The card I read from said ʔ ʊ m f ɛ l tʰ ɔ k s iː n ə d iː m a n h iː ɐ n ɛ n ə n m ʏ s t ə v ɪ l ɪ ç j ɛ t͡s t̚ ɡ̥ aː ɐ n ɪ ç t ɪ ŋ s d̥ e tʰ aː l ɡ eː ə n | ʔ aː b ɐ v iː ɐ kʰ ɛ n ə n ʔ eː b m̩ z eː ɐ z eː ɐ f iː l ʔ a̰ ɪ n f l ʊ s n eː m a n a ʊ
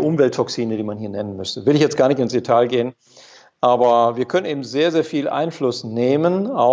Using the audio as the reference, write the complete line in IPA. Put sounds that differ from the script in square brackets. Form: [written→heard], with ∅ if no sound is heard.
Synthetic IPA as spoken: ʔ ʊ m [f→v] ɛ l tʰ ɔ k s iː n ə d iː m a n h iː ɐ n ɛ n ə n m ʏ s t ə v ɪ l ɪ ç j ɛ t͡s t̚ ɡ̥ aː ɐ n ɪ ç t ɪ [ŋ→n] s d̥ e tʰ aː l ɡ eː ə n | ʔ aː b ɐ v iː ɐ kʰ [ɛ→œ] n ə n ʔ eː b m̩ z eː ɐ z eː ɐ f iː l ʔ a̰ ɪ n f l ʊ s n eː m [a→ə] n a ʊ